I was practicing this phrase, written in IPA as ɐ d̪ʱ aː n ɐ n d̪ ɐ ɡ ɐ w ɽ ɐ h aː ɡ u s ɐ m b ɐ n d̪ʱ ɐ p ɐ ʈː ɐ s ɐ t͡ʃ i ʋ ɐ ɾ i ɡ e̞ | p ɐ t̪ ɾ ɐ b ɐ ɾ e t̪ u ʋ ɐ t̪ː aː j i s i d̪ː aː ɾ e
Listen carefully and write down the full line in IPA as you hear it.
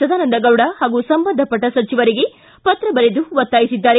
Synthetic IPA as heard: ɐ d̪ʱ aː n ɐ n d̪ ɐ ɡ ɐ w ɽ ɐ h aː ɡ u s ɐ m b ɐ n d̪ʱ ɐ p ɐ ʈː ɐ s ɐ t͡ʃ i ʋ ɐ ɾ i ɡ e̞ | p ɐ t̪ ɾ ɐ b ɐ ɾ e d̪ u ʋ ɐ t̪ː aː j i s i d̪ː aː ɾ e